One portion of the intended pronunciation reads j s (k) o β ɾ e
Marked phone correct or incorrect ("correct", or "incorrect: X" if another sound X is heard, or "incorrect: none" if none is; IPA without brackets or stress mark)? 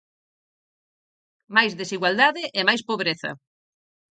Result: incorrect: p